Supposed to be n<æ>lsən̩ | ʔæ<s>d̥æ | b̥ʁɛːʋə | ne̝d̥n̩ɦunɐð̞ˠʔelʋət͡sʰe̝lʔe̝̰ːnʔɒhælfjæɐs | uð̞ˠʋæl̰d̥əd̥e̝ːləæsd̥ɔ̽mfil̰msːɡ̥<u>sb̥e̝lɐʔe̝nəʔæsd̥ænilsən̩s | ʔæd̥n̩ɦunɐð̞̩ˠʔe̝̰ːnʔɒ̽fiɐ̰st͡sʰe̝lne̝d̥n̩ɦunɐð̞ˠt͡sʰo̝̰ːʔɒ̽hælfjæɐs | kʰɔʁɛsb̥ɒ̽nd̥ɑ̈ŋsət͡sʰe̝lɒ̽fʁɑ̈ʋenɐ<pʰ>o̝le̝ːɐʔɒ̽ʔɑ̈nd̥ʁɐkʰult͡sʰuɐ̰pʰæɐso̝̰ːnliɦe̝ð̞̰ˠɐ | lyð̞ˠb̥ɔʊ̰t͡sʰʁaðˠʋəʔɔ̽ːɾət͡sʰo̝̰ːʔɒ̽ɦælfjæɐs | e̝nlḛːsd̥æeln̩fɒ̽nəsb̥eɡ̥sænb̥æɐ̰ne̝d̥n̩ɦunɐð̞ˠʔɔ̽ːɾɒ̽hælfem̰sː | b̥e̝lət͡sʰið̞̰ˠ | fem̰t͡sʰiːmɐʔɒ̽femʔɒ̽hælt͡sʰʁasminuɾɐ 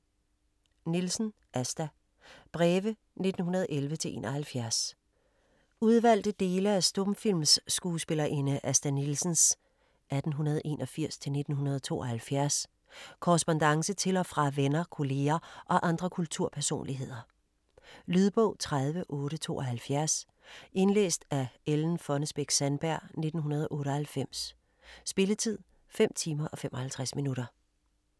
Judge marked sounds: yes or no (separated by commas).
no, yes, no, no